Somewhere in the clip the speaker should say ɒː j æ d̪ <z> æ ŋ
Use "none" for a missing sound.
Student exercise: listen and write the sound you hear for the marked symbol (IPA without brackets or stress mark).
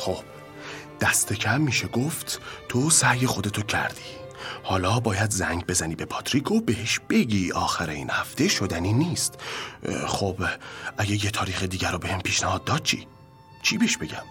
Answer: z